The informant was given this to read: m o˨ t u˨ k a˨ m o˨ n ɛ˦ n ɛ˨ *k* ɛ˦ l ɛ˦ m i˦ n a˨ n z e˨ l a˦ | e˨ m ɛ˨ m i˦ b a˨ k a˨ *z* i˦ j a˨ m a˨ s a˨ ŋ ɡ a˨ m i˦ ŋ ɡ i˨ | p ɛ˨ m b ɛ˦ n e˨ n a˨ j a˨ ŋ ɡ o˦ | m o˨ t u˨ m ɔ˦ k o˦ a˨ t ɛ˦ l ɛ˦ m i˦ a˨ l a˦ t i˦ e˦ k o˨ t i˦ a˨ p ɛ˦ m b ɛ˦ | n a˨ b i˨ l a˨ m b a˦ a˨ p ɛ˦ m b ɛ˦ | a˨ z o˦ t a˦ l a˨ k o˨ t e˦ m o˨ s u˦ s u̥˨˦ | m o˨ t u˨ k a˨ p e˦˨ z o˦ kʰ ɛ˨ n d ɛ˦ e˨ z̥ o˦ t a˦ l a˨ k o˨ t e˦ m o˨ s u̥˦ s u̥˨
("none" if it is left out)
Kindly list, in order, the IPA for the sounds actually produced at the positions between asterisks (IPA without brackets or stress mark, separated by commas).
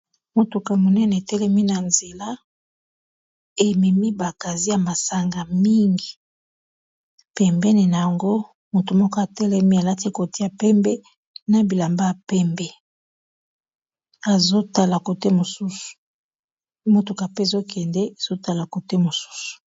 t, z